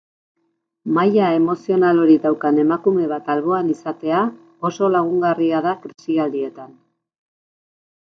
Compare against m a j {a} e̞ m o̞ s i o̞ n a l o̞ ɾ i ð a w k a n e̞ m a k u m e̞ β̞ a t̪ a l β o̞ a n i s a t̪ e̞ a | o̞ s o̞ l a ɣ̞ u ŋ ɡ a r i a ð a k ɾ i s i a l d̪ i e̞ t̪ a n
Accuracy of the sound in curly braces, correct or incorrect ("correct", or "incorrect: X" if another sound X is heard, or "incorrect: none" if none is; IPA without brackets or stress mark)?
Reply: correct